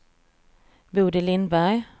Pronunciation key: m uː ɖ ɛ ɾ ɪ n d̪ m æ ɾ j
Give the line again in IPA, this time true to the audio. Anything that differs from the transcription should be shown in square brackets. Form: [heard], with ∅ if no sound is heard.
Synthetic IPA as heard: [b] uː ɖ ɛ [l] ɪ n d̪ [b] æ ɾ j

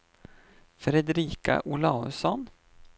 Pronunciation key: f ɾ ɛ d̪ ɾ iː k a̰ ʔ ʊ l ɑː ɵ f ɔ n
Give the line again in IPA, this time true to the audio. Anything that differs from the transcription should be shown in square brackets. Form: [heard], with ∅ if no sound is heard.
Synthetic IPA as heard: f ɾ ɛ d̪ ɾ iː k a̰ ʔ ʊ l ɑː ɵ [s] ɔ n

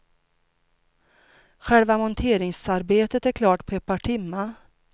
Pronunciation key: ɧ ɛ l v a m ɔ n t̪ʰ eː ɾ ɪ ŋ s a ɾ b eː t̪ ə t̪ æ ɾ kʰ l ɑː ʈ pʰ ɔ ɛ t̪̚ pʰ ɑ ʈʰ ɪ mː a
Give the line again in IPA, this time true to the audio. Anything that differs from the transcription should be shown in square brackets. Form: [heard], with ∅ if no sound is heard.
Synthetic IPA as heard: ɧ ɛ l v a m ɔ n t̪ʰ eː ɾ ɪ ŋ s a ɾ b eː t̪ ə t̪ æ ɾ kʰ l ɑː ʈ pʰ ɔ ɛ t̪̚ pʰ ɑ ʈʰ ɪ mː a

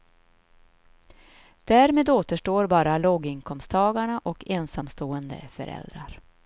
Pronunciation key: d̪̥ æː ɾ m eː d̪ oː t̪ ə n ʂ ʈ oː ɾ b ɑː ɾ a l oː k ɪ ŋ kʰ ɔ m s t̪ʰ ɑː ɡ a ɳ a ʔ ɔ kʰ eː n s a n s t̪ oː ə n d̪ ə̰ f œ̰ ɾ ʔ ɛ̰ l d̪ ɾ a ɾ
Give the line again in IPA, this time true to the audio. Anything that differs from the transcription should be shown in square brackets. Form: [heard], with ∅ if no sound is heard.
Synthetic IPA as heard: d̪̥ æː ɾ m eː d̪ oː t̪ ə [∅] ʂ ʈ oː ɾ b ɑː ɾ a l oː [ɡ] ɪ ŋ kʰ ɔ m s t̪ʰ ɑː ɡ a ɳ a ʔ ɔ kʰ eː n s a [m] s t̪ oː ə n d̪ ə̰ f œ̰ ɾ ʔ ɛ̰ l d̪ ɾ a ɾ

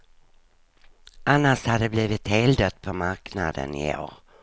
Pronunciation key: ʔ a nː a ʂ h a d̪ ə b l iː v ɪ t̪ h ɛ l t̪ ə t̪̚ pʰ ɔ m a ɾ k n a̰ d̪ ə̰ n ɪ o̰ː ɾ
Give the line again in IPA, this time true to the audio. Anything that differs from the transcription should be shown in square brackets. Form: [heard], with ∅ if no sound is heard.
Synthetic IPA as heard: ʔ a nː a ʂ h a d̪ ə b l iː v ɪ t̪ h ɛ l [d̪] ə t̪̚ pʰ ɔ m a ɾ k n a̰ d̪ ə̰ n ɪ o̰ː ɾ

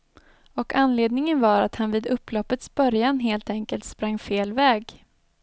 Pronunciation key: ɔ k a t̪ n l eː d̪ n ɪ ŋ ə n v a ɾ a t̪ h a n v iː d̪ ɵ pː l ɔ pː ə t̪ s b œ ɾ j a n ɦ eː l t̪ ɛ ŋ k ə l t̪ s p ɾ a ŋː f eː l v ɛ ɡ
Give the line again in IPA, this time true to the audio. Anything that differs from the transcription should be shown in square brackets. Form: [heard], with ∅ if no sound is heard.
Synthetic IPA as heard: ɔ k a [∅] n l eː d̪ n ɪ ŋ ə n v a ɾ a t̪ h a n v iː d̪ ɵ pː l ɔ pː ə t̪ s b œ ɾ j a n ɦ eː l t̪ ɛ ŋ k ə l t̪ s p ɾ a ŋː f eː l v [ɛː] ɡ

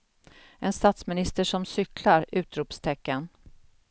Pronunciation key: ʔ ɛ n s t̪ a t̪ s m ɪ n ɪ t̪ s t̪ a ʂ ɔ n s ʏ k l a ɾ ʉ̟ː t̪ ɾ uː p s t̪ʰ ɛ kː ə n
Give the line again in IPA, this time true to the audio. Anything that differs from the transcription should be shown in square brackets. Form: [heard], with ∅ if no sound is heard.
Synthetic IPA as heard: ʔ ɛ n s t̪ a t̪ s m ɪ n ɪ [∅] s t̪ [ə] ʂ ɔ [m] s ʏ k l a ɾ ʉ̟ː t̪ ɾ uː p s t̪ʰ ɛ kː ə n

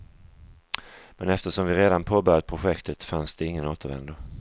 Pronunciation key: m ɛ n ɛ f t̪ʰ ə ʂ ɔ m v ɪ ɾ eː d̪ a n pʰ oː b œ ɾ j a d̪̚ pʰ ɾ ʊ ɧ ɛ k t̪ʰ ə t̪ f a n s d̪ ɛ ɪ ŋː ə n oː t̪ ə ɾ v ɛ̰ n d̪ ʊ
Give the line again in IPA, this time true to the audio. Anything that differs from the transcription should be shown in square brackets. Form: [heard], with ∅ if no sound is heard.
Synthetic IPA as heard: m ɛ n ɛ f [t̪] ə ʂ ɔ m v ɪ ɾ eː d̪ a n pʰ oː b œ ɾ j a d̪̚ pʰ ɾ ʊ ɧ ɛ k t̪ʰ ə t̪ f a n s d̪ ɛ ɪ ŋː ə n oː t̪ ə ɾ v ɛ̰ n d̪ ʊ

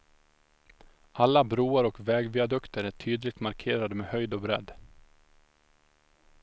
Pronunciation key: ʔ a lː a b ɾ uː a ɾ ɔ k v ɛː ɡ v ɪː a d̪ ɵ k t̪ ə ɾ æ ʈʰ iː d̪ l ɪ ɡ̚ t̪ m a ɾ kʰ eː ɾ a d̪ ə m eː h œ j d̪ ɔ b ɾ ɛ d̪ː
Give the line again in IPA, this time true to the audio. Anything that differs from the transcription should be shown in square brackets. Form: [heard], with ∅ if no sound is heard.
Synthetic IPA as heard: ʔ a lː a b ɾ uː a ɾ ɔ k v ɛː ɡ v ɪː a d̪ ɵ k t̪ ə ɾ æ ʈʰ [yː] d̪ l ɪ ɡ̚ t̪ m a ɾ kʰ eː ɾ a d̪ ə m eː h œ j d̪ ɔ b ɾ ɛ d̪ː

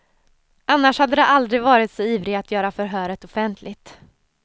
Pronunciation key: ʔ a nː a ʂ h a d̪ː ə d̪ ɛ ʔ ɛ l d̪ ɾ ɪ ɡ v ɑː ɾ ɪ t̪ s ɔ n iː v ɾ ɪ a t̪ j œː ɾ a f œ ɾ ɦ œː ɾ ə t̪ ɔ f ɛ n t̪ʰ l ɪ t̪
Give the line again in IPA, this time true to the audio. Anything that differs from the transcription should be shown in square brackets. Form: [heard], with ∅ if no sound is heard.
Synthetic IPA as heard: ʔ a nː a ʂ h a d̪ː ə d̪ ɛ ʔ [a] l d̪ ɾ ɪ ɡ v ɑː ɾ ɪ t̪ s ɔ [∅] iː v ɾ ɪ a t̪ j œː ɾ a f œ ɾ ɦ œː ɾ ə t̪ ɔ f ɛ n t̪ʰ l ɪ t̪

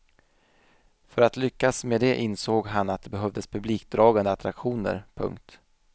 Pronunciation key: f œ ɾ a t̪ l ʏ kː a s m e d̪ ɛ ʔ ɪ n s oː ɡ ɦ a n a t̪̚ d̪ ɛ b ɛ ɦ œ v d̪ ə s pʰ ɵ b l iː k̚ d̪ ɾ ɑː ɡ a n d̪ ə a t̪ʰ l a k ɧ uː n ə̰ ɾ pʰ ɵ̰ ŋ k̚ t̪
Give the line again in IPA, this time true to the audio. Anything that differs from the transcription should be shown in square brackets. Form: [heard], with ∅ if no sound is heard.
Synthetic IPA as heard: f œ ɾ a t̪ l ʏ kː a s m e d̪ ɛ ʔ ɪ n s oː ɡ ɦ a n a t̪̚ d̪ ɛ b ɛ ɦ œ v d̪ ə s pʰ ɵ b l iː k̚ d̪ ɾ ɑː ɡ a n d̪ ə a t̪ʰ [ɾ] a k ɧ uː n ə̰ ɾ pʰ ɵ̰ ŋ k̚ t̪

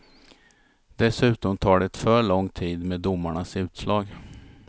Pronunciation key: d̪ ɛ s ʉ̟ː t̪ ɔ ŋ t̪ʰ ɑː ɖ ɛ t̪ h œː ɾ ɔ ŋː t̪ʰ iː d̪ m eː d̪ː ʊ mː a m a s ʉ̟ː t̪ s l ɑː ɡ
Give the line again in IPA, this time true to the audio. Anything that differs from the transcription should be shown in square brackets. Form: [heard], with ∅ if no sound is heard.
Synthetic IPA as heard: d̪ ɛ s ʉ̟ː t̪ ɔ [m] t̪ʰ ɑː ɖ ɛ t̪ [f] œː [ɭ] ɔ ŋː t̪ʰ iː d̪ m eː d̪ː ʊ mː a [ɳ] a s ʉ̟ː t̪ s l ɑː ɡ

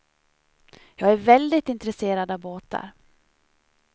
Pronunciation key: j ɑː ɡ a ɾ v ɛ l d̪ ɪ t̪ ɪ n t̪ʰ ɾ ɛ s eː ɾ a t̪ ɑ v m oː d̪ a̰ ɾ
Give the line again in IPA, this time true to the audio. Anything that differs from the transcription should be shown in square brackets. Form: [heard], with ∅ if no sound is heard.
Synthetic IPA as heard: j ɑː ɡ [æ] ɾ v ɛ l d̪ ɪ t̪ ɪ n [t̪] ɾ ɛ s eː ɾ a [d̪] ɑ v [b] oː [t̪] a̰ ɾ

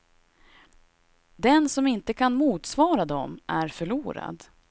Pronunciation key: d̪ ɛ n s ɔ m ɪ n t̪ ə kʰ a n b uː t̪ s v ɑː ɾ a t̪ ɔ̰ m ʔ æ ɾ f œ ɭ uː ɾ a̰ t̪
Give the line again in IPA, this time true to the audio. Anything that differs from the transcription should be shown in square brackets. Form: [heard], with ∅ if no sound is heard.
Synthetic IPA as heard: d̪ ɛ n s ɔ m ɪ n t̪ ə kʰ a n [m] uː t̪ s v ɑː ɾ a [d̪] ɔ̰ m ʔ æ ɾ f œ ɭ uː ɾ a̰ [d̪]

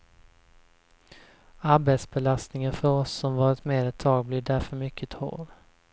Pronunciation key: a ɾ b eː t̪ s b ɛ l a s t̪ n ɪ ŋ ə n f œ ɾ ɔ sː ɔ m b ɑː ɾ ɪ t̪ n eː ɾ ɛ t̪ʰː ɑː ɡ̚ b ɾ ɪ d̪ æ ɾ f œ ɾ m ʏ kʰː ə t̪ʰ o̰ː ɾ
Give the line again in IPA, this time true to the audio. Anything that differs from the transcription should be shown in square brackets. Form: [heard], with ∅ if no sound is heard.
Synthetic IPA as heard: a ɾ b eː t̪ s b ɛ l a s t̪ n ɪ ŋ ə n f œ ɾ ɔ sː ɔ m [v] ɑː ɾ ɪ t̪ [m] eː ɾ ɛ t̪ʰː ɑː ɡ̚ b [l] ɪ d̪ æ ɾ f œ ɾ m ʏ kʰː ə t̪ʰ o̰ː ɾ

